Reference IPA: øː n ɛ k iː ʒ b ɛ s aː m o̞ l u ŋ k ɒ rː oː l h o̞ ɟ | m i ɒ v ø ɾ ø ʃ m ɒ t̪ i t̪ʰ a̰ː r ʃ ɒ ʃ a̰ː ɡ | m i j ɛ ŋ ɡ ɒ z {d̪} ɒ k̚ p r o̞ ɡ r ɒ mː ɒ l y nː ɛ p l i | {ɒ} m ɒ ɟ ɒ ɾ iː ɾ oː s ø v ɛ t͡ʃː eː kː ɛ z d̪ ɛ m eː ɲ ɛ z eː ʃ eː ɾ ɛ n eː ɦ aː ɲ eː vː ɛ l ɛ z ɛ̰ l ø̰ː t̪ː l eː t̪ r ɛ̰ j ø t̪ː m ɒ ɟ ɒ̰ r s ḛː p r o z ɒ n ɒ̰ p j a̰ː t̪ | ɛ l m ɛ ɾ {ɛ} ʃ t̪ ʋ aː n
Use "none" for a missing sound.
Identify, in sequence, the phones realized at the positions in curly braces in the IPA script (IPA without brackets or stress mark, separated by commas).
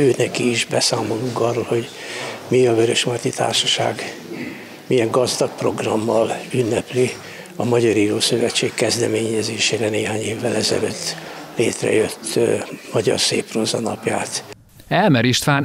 d̪, ɒ, i